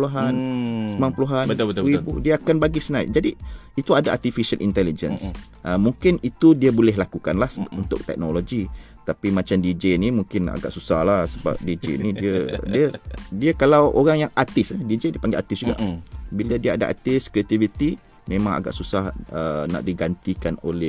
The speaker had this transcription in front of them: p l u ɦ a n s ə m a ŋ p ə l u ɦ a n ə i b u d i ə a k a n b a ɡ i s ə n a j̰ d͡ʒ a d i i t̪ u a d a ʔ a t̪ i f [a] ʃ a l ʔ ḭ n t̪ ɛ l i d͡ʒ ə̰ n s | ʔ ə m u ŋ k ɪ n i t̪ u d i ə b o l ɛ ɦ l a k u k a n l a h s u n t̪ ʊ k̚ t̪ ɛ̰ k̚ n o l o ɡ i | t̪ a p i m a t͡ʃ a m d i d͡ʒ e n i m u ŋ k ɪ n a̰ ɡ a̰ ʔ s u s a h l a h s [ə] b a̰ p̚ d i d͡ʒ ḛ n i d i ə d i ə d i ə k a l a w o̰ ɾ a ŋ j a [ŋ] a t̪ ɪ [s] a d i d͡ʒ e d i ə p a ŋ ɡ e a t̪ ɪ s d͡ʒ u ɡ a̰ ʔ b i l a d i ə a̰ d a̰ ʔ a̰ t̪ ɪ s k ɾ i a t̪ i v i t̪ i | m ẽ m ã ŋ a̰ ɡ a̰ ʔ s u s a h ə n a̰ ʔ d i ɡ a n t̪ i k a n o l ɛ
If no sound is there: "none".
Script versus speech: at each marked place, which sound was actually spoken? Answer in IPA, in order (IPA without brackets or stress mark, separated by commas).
i, ə, ŋ, s